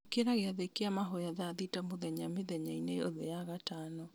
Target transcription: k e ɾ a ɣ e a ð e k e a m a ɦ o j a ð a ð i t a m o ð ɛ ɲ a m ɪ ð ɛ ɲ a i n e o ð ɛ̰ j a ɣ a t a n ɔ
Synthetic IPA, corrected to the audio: k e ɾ a ɣ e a ð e k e a m a ɦ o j a ð a ð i t a m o ð ɛ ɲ a m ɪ ð ɛ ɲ a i n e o ð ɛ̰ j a ɣ a t a n ɔ